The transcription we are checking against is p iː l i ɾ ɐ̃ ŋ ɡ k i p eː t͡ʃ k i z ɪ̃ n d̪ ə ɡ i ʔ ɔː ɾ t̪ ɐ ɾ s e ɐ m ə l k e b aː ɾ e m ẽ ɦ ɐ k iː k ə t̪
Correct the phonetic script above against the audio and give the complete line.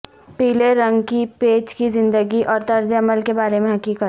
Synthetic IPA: p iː l e ɾ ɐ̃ ŋ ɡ k i p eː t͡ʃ k i z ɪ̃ n d̪ ə ɡ i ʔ ɔː ɾ t̪ ɐ ɾ z e ɐ m ə l k e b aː ɾ e m ẽ ɦ ɐ k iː k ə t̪